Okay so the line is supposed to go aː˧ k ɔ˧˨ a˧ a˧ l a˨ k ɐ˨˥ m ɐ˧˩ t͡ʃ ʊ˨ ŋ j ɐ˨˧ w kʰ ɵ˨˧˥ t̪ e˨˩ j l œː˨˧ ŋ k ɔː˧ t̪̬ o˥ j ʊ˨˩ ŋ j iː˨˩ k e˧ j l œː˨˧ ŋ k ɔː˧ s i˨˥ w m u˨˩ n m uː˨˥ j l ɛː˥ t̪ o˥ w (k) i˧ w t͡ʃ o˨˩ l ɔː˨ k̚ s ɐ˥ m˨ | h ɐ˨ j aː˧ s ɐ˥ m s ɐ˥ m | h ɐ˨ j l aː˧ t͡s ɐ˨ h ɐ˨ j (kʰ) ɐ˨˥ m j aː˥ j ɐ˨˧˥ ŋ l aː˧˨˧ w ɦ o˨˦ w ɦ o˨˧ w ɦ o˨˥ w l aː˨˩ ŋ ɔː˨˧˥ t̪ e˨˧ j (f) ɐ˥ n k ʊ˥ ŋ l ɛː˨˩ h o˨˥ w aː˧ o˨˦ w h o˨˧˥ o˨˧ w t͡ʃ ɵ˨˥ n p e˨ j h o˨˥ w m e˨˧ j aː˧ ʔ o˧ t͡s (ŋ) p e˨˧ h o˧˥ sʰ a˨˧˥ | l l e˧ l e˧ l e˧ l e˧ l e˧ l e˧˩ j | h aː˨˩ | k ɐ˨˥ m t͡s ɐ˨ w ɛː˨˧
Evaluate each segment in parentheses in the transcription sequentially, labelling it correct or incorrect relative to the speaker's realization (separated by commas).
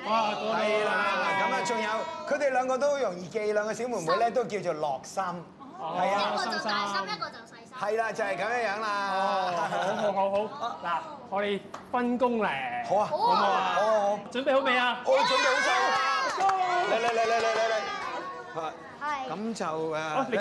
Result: correct, incorrect, correct, incorrect